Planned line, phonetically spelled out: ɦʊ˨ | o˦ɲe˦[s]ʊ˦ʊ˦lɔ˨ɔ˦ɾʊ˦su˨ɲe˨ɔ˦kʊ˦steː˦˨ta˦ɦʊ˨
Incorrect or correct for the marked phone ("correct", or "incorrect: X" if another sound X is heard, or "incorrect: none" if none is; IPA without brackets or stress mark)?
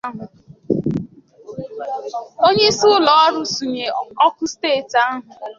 correct